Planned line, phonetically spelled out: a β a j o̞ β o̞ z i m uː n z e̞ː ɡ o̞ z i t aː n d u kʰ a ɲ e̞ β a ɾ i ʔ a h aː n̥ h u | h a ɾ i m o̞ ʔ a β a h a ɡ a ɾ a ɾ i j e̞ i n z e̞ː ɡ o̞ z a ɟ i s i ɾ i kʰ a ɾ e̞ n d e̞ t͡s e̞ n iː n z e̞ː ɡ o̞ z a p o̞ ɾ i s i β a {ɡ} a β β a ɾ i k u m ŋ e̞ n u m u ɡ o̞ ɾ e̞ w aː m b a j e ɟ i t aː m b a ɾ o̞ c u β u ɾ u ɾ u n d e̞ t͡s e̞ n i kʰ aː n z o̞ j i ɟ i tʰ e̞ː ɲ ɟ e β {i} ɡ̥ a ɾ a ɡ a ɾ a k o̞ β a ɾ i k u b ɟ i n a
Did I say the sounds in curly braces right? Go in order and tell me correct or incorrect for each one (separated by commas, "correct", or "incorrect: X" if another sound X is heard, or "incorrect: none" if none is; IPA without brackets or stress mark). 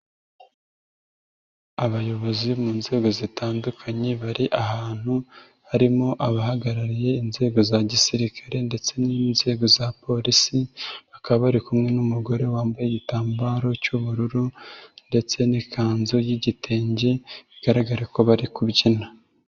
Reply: incorrect: k, correct